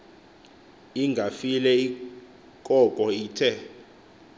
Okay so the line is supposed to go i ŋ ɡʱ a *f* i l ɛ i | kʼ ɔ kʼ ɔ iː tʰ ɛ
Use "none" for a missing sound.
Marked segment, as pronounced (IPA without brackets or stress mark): f